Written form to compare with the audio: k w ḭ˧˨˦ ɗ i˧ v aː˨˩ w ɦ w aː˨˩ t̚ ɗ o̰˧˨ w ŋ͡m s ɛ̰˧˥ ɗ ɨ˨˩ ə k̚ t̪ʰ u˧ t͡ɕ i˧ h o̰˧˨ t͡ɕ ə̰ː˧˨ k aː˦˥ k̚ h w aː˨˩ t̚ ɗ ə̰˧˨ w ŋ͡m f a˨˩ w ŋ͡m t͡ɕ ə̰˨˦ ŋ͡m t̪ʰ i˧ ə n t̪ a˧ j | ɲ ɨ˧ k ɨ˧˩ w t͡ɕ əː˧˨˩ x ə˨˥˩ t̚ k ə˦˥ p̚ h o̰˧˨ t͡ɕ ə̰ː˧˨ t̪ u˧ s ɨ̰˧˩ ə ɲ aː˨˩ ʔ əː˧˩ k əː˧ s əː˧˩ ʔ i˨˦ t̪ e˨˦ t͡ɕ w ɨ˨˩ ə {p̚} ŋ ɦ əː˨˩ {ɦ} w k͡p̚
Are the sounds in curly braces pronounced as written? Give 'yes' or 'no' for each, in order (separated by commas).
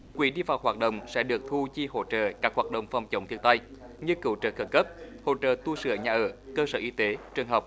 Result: no, no